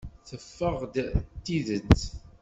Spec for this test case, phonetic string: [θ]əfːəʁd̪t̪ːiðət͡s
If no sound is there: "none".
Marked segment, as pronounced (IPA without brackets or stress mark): θ